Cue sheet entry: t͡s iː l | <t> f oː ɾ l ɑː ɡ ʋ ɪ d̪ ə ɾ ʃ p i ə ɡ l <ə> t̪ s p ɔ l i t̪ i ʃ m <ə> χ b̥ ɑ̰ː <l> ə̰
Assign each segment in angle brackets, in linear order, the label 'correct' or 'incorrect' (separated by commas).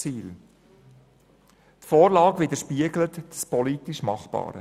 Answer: correct, correct, incorrect, incorrect